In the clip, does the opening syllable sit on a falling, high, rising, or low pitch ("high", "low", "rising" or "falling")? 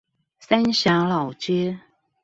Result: high